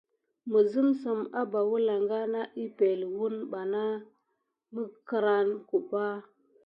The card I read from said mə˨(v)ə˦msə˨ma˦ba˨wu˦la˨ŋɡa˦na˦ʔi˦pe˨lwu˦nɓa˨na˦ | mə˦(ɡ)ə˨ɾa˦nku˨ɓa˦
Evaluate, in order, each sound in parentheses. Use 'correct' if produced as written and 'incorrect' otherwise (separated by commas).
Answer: incorrect, incorrect